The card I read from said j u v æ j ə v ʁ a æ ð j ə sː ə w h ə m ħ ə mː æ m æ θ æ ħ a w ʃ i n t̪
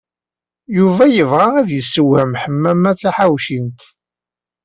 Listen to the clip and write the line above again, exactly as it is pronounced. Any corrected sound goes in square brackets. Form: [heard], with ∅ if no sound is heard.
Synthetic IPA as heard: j u v æ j ə v ʁ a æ ð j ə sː ə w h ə m ħ ə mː æ m æ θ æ ħ a w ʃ i n t̪